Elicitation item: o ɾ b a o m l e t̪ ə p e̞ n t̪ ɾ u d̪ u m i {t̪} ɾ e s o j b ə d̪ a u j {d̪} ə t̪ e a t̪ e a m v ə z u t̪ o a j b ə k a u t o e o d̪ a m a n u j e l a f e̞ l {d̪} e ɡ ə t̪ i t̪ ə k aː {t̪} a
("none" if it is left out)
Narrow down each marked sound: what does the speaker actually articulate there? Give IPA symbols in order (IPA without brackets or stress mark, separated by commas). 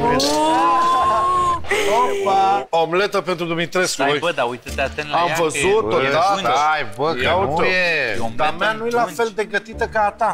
t̪, t̪, d̪, t̪